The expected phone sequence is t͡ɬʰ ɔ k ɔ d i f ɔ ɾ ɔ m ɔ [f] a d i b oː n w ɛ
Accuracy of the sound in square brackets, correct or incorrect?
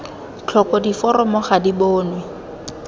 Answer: incorrect